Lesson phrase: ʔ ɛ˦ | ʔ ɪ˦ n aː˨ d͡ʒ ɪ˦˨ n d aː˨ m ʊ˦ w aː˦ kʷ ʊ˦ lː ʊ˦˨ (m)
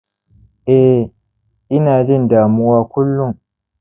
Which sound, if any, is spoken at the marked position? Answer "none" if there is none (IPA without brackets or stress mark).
ŋ